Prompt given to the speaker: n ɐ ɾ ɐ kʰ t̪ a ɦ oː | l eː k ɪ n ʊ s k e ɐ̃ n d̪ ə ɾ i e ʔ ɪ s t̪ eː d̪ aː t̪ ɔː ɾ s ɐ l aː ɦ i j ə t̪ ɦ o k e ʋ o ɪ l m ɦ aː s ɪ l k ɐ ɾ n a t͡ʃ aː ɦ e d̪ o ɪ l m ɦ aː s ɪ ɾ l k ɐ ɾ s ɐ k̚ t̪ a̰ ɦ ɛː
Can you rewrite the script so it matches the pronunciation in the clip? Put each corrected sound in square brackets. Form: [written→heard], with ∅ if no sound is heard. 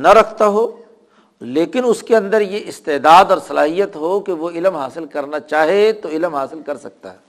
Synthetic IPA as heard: n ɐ ɾ ɐ kʰ t̪ a ɦ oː | l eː k ɪ n ʊ s k e ɐ̃ n d̪ ə ɾ [i→j] e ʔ ɪ s t̪ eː d̪ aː [t̪→d̪] ɔː ɾ s ɐ l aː ɦ i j ə t̪ ɦ o k e ʋ o ɪ l m ɦ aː s ɪ l k ɐ ɾ n a t͡ʃ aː ɦ e [d̪→t̪] o ɪ l m ɦ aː s ɪ [ɾ→∅] l k ɐ ɾ s ɐ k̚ t̪ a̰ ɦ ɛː